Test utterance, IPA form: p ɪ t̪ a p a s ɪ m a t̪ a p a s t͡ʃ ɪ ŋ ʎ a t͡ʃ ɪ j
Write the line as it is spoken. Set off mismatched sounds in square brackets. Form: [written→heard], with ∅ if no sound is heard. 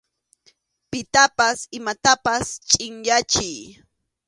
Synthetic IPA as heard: p ɪ t̪ a p a s ɪ m a t̪ a p a s [t͡ʃ→t͡ʃʼ] ɪ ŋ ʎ a t͡ʃ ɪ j